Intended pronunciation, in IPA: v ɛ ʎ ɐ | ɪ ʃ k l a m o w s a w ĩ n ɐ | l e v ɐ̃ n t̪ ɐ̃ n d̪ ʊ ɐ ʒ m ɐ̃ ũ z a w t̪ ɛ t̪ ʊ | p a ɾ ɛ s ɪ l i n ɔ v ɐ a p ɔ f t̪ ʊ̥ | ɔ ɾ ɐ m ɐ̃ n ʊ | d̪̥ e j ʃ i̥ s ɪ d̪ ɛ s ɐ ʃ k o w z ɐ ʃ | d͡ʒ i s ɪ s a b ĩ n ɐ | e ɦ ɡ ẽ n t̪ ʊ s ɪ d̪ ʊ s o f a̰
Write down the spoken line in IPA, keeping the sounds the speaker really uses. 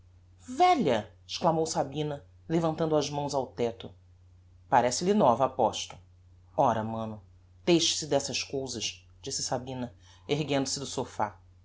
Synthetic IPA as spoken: v ɛ ʎ ɐ | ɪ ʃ k l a m o w s a b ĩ n ɐ | l e v ɐ̃ n t̪ ɐ̃ n d̪ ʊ ɐ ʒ m ɐ̃ w̃ z a w t̪ ɛ t̪ ʊ | p a ɾ ɛ s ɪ l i n ɔ v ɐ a p ɔ ʃ t̪ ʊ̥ | ɔ ɾ ɐ m ɐ̃ n ʊ | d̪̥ e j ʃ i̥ s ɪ d̪ ɛ s ɐ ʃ k o w z ɐ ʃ | d͡ʒ i s ɪ s a b ĩ n ɐ | e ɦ ɡ ẽ n d̪ ʊ s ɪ d̪ ʊ s o f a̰

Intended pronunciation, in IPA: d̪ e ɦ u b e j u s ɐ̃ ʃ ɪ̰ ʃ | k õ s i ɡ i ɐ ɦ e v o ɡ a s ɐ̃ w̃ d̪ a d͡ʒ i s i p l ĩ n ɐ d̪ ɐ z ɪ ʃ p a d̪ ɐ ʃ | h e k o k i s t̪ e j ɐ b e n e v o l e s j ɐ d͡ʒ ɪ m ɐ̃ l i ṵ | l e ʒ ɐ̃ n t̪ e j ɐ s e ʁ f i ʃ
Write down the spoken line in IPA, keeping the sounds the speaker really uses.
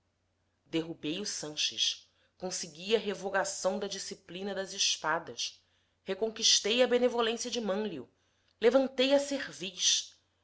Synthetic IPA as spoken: d̪ e ɦ u b e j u s ɐ̃ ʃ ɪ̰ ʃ | k õ s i ɡ i ɐ ɦ e v o ɡ a s ɐ̃ w̃ d̪ ɐ d͡ʒ i s i p l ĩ n ɐ d̪ ɐ z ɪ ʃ p a d̪ ɐ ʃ | h e k õ k i ʃ t̪ e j ɐ b e n e v o l ẽ s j ɐ d͡ʒ ɪ m ɐ̃ l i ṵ | l e v ɐ̃ n t̪ e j ɐ s e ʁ v i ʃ

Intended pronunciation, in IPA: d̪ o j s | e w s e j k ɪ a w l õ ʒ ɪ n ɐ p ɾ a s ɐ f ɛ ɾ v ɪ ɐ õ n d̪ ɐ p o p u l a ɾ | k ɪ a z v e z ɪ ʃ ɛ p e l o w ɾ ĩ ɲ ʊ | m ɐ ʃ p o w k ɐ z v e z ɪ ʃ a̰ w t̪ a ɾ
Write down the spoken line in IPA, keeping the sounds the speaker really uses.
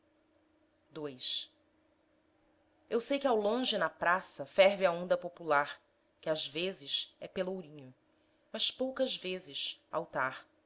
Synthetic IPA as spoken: d̪ o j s | e w s e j k ɪ a w l õ ʒ ɪ n ɐ p ɾ a s ɐ f ɛ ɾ v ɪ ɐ õ n d̪ ɐ p o p u l a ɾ | k ɪ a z v e z ɪ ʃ ɛ p e l o w ɾ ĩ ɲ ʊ | m ɐ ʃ p o w k ɐ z v e z ɪ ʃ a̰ w t̪ a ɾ

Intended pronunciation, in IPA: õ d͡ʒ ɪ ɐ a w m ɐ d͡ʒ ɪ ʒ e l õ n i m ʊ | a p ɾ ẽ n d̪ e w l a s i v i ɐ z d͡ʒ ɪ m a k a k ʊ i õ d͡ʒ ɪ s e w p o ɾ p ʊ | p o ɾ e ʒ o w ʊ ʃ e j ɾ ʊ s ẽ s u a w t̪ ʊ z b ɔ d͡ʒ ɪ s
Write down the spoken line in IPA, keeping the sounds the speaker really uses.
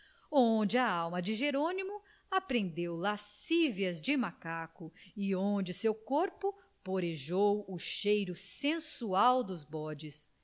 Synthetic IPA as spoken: õ d͡ʒ ɪ ɐ a w m ɐ d͡ʒ ɪ ʒ e ɾ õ n i m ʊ | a p ɾ ẽ n d̪ e w l a s i v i ɐ z d͡ʒ ɪ m a k a k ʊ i õ d͡ʒ ɪ s e w k o ɾ p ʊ | p o ɾ e ʒ o w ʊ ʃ e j ɾ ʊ s ẽ s u a w d̪ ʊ z b ɔ d͡ʒ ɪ s

